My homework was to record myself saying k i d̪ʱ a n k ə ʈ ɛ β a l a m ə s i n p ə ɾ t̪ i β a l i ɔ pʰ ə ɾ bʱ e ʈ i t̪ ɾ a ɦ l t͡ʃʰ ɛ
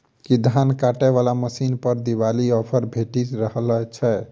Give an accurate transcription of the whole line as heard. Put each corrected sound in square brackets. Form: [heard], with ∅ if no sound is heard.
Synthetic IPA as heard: k i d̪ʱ a n k [a] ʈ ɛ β a l a m ə s i n p ə ɾ [d̪] i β a l i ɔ pʰ ə ɾ bʱ e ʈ i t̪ ɾ [ə] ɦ l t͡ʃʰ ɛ